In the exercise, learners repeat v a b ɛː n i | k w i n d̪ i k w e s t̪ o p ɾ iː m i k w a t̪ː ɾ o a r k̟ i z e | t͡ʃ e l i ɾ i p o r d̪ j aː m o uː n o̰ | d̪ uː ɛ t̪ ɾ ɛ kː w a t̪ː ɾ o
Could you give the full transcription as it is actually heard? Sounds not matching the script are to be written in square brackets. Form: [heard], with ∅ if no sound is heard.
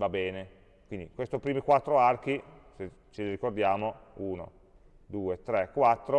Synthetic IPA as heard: v a b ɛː n [e] | k w i n d̪ i k w e s t̪ o p ɾ iː m i k w a t̪ː ɾ o a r k̟ i [s] e | t͡ʃ e l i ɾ i [k] o r d̪ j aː m o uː n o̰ | d̪ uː [e] t̪ ɾ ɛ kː w a t̪ː ɾ o

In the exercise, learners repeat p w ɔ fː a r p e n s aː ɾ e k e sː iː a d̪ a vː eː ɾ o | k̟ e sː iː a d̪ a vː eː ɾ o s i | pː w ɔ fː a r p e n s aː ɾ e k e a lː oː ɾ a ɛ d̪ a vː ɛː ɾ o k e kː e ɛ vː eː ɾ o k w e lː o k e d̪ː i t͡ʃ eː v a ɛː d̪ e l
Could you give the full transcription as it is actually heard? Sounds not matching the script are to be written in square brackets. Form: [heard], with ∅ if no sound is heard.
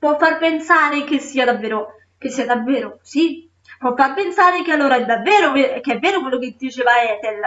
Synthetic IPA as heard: p w ɔ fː a r p e n s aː ɾ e k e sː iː a d̪ a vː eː ɾ o | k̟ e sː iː a d̪ a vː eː ɾ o s i | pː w ɔ fː a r p e n s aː ɾ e k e a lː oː ɾ a ɛ d̪ a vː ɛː ɾ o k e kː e ɛ vː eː ɾ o k w e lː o k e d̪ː i t͡ʃ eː v a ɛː [t̪] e l

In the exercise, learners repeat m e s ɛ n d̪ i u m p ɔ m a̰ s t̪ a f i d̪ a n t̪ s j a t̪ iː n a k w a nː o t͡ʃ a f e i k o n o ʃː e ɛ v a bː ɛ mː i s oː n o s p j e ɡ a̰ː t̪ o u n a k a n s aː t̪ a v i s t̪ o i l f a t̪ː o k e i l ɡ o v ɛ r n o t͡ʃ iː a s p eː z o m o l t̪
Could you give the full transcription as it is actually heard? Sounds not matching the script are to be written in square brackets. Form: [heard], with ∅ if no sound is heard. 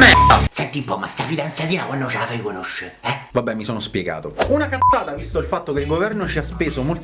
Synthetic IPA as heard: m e s ɛ n [t̪] i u m p ɔ m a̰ s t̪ a f i d̪ a n t̪ s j a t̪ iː n a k w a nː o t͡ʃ a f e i k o n o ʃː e ɛ v a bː ɛ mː i s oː n o s p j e ɡ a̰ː t̪ o u n a k a n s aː t̪ a v i s t̪ o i l f a t̪ː o k e i l ɡ o v ɛ r n o t͡ʃ [i] a s p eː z o m o l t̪

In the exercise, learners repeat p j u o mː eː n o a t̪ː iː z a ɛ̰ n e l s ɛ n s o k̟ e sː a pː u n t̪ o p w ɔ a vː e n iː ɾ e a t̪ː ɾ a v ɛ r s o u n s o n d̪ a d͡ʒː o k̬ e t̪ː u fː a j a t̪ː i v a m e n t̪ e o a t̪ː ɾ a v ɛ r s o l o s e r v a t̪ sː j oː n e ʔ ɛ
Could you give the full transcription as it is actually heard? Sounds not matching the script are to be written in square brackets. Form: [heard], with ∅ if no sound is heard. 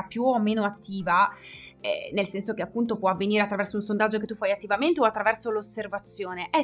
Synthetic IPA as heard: p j u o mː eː n o a t̪ː iː [v] a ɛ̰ n e l s ɛ n s o k̟ e [∅] a pː u n t̪ o p w ɔ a vː e n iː ɾ e a t̪ː ɾ a v ɛ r s o u n s o n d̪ a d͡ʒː o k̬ e t̪ː u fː a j a t̪ː i v a m e n t̪ e o a t̪ː ɾ a v ɛ r s o l o s e r v a t̪ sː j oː n e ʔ ɛ

